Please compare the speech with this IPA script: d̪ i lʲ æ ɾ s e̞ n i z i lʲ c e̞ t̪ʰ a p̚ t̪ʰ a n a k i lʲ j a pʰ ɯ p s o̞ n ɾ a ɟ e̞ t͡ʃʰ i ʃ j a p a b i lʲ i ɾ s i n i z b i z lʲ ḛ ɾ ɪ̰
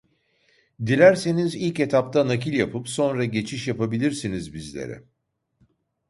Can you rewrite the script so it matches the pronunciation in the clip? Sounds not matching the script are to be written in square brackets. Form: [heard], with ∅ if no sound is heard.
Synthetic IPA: d̪ i lʲ æ ɾ s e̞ n i z i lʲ c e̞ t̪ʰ a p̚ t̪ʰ a n a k i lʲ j a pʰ ɯ p s o̞ n ɾ a ɟ e̞ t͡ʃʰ i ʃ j a p a b i lʲ i ɾ s i n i z b i z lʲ ḛ ɾ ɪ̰

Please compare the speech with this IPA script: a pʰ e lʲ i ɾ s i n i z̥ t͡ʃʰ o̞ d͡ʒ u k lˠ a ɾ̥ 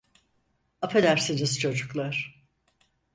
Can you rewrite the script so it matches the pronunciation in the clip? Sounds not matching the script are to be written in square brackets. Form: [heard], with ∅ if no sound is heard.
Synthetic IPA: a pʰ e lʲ [æ] ɾ s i n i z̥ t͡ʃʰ o̞ d͡ʒ u k lˠ a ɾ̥

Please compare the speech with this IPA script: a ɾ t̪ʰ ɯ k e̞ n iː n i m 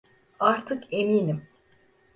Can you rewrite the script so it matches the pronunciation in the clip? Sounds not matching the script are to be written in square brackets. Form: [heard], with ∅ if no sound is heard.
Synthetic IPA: a ɾ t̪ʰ ɯ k e̞ [m] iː n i m

